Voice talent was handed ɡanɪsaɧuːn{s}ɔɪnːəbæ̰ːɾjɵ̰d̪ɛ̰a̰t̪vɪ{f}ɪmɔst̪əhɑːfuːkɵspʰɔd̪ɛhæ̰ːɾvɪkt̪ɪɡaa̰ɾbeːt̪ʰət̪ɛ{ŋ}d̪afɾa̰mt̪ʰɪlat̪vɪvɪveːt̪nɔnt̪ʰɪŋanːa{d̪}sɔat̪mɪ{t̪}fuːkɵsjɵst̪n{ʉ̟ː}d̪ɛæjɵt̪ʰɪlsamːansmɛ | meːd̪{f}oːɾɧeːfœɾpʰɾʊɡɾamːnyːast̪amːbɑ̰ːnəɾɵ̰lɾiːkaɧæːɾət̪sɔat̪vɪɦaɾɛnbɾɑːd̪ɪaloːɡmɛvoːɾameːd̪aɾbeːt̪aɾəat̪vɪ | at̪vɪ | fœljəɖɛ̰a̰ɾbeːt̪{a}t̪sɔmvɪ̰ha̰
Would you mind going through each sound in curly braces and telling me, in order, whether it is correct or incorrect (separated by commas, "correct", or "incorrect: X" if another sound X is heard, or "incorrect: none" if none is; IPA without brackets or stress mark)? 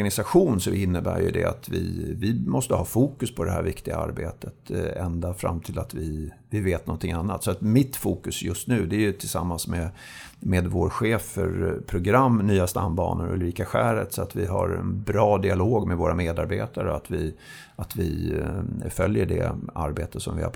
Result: correct, incorrect: v, incorrect: n, incorrect: t̪, correct, correct, incorrect: v, incorrect: ə